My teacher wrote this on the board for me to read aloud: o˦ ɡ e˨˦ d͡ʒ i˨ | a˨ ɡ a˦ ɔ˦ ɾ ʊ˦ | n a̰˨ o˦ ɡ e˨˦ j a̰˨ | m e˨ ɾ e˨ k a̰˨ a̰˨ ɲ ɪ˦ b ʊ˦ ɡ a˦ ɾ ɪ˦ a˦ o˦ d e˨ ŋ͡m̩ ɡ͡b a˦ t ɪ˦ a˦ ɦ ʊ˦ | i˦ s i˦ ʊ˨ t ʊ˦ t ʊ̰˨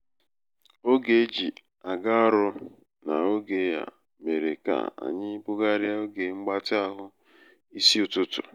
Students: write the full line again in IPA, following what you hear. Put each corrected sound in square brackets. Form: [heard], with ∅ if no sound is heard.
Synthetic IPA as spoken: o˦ ɡ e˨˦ d͡ʒ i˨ | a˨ ɡ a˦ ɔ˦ ɾ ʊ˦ | n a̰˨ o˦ ɡ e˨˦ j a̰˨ | m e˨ ɾ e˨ k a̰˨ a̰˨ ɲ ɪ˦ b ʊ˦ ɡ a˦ ɾ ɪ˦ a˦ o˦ [ɡ] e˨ ŋ͡m̩ ɡ͡b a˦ t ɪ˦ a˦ ɦ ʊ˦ | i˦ s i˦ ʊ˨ t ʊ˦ t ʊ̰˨